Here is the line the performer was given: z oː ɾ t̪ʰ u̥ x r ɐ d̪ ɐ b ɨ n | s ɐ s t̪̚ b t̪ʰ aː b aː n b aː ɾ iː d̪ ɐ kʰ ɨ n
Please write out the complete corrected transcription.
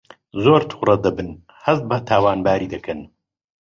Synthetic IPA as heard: z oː ɾ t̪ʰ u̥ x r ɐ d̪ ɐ b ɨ n | h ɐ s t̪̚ b t̪ʰ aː w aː n b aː ɾ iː d̪ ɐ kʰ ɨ n